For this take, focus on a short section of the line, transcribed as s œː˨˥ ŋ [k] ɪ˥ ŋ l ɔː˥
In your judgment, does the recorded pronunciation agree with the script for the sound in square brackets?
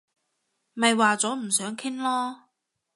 no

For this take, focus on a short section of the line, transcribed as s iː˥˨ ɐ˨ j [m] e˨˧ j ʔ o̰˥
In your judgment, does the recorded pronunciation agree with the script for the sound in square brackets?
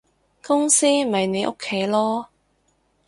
no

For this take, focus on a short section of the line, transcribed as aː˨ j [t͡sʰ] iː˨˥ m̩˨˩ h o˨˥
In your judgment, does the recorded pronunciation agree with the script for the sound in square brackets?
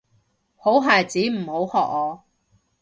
no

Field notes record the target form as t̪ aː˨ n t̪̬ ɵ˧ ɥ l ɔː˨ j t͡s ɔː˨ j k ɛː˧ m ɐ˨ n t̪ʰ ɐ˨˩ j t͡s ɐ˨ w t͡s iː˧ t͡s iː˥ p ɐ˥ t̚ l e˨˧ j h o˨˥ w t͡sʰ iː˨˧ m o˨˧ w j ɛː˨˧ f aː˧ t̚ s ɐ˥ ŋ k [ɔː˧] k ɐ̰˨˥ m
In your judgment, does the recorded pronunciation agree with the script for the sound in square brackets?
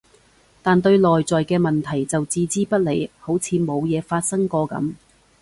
yes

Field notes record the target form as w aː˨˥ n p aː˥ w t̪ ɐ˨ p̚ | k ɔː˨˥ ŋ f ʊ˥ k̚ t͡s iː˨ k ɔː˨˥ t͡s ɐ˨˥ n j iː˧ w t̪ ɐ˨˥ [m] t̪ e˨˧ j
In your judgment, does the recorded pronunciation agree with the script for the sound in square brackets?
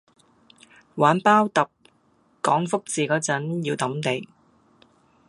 yes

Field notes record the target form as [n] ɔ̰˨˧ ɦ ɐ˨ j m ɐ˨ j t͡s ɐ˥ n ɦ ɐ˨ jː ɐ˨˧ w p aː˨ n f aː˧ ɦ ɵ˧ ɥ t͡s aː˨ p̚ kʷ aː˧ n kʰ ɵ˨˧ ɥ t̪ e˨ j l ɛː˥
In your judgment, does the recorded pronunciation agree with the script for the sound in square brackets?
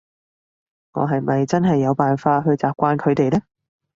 no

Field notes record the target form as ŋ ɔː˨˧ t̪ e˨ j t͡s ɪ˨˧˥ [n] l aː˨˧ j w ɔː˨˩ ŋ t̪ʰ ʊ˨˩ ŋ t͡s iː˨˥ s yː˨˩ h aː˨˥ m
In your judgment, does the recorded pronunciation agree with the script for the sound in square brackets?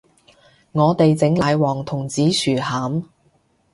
no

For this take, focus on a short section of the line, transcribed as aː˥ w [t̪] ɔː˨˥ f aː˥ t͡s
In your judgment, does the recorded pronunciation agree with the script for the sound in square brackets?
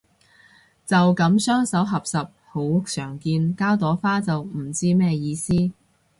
yes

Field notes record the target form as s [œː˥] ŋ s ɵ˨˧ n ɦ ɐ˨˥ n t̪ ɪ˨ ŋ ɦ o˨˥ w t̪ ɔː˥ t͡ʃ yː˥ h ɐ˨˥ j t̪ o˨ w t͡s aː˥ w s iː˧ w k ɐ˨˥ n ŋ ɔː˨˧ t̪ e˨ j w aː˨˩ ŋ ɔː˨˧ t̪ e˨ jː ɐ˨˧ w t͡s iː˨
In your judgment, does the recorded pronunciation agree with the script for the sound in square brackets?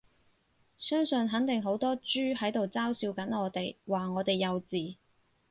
yes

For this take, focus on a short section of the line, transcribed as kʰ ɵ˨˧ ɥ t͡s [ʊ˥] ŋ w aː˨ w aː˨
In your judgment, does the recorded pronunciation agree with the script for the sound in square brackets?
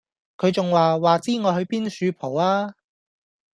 no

